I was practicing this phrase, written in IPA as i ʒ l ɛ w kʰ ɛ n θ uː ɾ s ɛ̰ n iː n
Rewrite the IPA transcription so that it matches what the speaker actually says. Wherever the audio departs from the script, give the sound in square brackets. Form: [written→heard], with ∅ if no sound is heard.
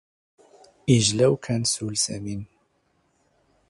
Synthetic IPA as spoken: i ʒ l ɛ w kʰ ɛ n [θ→s] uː [ɾ→l] s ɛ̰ [n→m] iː n